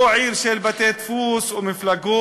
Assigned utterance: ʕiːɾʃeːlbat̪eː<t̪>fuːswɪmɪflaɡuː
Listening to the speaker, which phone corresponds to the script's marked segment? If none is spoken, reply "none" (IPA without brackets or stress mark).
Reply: t̪